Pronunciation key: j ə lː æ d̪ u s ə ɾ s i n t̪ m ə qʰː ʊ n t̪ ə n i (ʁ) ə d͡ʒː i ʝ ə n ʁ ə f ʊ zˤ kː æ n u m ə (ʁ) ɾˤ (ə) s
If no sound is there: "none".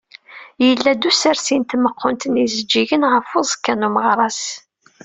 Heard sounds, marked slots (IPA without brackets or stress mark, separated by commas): z, ʁ, ɑ